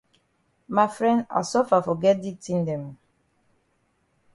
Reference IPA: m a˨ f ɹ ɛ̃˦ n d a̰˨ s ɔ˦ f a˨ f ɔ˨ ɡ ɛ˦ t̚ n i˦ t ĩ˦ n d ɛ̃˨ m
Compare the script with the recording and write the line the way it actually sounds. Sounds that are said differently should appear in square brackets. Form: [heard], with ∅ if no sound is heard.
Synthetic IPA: m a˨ f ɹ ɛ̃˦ n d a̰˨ s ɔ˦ f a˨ f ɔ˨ ɡ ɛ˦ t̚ [d] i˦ t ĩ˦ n d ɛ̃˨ m